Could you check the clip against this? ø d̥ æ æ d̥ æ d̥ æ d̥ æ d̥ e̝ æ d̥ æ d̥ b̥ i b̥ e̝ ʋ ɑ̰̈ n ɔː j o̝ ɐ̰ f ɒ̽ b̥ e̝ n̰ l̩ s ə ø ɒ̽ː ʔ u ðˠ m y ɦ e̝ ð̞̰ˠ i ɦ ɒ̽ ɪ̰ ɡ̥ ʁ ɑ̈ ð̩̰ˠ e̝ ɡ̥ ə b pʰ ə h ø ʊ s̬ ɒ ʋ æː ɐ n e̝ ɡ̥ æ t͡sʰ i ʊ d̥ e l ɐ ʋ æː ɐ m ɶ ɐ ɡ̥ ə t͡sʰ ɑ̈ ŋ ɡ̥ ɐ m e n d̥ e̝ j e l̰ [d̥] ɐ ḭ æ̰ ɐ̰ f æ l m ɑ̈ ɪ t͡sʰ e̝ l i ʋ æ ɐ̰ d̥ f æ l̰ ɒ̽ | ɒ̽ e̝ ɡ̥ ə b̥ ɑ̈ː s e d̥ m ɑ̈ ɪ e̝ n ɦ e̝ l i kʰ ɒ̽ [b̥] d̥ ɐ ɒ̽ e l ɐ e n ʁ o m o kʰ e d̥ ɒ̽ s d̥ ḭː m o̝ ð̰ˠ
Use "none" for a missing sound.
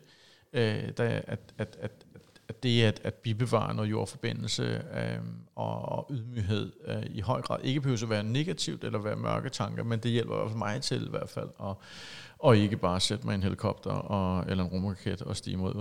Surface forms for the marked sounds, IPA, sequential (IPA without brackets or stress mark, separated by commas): b̥, b̥